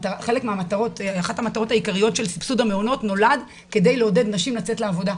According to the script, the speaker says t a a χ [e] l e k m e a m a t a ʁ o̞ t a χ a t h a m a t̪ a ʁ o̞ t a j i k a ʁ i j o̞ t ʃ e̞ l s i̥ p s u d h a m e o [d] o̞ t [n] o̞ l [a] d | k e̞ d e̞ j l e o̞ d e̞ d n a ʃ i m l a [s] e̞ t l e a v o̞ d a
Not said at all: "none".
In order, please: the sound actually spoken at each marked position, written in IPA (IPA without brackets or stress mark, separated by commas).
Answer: e, n, n, a, t͡s